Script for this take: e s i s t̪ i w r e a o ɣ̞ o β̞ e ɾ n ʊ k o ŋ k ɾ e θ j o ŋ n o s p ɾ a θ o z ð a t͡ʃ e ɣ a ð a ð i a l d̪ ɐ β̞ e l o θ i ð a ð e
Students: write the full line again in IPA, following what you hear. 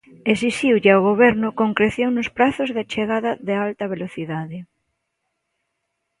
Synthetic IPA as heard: e s i s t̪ i w ʎ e a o ɣ̞ o β̞ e ɾ n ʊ k o ŋ k ɾ e θ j o ŋ n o s p ɾ a θ o z ð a t͡ʃ e ɣ a ð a ð e a l t̪ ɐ β̞ e l o θ i ð a ð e